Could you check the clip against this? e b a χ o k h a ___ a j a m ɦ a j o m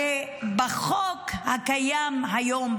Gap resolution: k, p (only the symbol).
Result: k